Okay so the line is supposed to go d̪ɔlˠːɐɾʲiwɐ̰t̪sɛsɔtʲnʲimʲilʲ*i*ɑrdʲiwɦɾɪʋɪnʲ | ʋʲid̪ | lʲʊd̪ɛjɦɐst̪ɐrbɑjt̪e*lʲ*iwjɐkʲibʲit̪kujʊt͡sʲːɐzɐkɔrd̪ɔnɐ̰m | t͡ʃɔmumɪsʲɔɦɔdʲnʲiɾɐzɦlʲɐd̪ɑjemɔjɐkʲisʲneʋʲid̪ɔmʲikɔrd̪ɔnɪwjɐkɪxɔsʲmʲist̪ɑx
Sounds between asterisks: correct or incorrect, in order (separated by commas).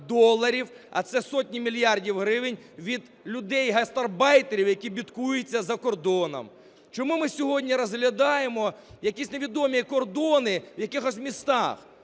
incorrect, incorrect